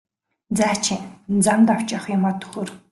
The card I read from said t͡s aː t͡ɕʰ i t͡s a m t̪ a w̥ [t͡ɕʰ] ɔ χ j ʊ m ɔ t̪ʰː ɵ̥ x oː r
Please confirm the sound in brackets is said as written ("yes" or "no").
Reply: no